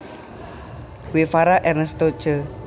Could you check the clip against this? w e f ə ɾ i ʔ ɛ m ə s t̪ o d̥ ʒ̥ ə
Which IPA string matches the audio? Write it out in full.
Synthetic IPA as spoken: w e f a ɾ a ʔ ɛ n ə s t̪ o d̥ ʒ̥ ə